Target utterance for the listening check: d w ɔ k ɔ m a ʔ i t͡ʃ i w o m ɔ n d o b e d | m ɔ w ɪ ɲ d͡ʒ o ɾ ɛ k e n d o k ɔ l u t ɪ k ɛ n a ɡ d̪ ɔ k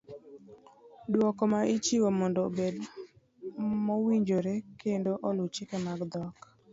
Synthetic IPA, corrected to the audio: d w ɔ k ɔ m a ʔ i t͡ʃ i w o m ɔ n d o b e d | m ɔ w i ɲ d͡ʒ o ɾ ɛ k e n d o ʔ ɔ l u t͡ʃ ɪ k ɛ m a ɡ d̪ ɔ k